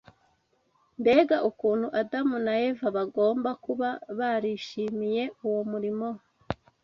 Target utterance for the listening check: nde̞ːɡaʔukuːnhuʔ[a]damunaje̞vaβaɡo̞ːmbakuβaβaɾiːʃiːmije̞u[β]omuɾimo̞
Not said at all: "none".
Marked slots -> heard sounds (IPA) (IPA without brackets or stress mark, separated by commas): a, w